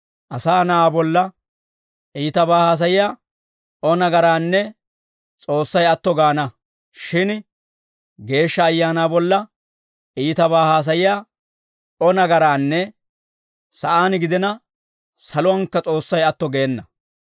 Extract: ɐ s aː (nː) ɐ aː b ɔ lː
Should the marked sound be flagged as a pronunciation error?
yes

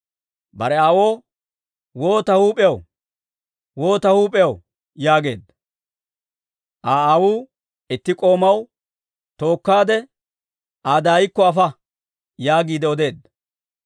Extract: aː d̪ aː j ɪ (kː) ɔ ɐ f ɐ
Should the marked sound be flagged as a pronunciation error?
no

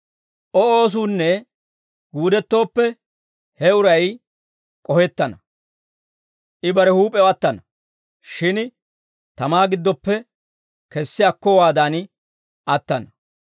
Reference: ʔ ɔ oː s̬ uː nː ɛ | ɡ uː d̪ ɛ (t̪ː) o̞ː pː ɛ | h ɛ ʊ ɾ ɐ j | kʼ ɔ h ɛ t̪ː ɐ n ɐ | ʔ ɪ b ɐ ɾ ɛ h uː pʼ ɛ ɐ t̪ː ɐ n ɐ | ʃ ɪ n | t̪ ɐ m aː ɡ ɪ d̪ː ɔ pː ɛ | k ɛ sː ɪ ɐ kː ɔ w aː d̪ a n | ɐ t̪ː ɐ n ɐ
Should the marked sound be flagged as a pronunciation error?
no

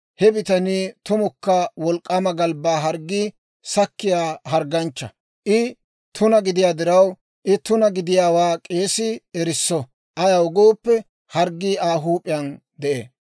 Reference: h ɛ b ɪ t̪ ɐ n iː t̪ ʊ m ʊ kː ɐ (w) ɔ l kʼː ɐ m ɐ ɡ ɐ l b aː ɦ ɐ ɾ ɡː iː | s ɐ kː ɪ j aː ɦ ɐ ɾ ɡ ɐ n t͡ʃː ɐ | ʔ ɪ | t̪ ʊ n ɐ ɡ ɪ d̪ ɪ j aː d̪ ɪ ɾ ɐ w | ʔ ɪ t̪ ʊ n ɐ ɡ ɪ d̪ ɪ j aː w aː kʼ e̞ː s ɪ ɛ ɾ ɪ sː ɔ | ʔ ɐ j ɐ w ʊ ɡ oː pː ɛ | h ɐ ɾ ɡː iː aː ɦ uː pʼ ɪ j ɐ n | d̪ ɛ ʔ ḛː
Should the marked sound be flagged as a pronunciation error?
no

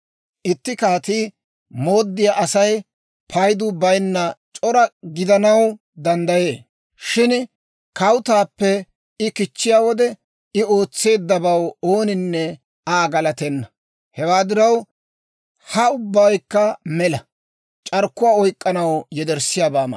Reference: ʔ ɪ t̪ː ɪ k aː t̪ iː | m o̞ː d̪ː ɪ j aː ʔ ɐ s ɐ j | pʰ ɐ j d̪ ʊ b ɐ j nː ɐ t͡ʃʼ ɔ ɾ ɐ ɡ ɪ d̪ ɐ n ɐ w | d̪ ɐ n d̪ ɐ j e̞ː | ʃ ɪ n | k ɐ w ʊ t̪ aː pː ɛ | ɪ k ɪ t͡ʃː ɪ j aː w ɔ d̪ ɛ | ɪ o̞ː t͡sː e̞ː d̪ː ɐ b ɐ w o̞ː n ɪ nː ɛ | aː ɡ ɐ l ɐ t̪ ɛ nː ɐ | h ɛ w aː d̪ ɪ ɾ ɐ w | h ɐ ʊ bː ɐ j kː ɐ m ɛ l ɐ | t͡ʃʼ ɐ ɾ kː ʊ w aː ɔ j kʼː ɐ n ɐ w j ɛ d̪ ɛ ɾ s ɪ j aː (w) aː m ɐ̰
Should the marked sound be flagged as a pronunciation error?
yes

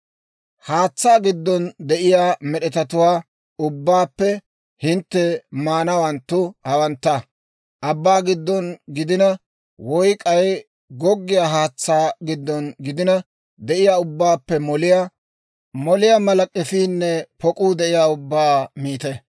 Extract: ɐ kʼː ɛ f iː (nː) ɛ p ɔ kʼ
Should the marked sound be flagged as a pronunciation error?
no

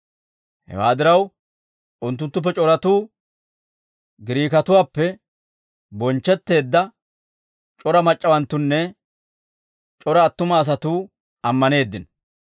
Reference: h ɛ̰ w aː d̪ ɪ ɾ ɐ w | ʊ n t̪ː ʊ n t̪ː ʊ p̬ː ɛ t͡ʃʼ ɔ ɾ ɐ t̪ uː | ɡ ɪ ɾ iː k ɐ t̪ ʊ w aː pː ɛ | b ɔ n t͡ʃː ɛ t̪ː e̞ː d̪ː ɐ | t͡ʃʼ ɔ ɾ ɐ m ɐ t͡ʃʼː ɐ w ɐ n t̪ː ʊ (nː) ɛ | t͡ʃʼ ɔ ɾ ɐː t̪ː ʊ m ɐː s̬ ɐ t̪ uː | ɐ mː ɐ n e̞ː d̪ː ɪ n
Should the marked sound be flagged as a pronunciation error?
no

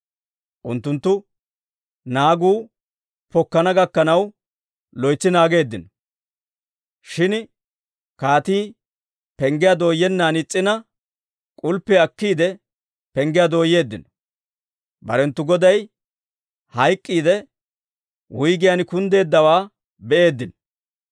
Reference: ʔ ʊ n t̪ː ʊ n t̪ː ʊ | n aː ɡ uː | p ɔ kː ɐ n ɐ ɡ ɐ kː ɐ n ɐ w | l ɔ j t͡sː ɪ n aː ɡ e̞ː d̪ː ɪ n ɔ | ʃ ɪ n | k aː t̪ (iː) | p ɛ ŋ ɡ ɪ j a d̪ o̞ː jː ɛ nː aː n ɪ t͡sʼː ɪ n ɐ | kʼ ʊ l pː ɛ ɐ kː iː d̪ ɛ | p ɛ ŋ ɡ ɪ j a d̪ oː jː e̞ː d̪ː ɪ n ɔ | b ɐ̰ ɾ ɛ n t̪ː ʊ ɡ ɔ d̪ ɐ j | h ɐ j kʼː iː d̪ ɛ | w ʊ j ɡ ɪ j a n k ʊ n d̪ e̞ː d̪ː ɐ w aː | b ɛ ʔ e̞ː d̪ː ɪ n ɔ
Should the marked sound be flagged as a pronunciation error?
no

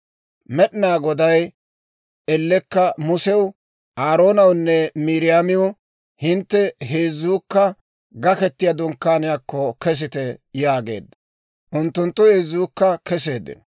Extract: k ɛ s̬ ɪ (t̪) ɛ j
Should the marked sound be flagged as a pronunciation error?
no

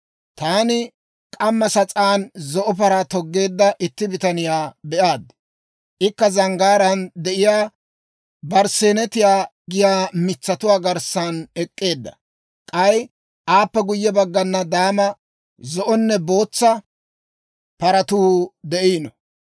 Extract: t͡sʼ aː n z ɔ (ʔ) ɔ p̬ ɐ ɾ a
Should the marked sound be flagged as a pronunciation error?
no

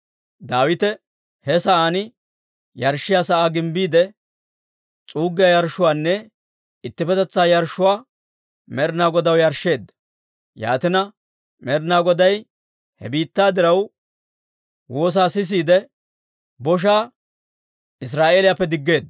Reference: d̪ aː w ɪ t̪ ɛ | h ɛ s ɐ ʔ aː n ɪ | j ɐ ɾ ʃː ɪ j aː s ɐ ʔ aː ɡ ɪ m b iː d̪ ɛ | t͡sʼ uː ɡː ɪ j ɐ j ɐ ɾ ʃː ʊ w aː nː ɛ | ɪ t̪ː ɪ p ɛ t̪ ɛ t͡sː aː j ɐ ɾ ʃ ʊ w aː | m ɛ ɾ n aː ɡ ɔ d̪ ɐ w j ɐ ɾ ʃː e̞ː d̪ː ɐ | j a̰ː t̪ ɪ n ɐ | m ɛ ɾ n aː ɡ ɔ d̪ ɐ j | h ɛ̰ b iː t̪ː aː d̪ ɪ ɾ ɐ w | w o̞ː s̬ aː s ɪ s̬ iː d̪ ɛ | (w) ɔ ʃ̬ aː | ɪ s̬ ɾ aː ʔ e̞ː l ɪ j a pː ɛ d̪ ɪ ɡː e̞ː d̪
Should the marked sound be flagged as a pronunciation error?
yes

